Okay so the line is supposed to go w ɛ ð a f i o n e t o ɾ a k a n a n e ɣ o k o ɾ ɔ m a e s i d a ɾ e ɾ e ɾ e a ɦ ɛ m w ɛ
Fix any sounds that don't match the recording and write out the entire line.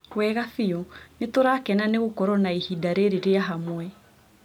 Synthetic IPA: w ɛ ɣ a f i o n e t o ɾ a k ɛ n a n e ɣ o k ɔ ɾ ɔ n a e h i d a ɾ e ɾ e ɾ e a ɦ a m w ɛ